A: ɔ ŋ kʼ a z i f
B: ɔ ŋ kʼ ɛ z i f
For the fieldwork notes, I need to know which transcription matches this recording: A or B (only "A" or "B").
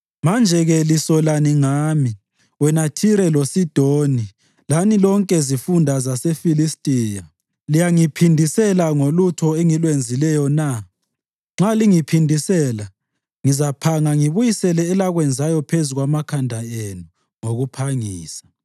B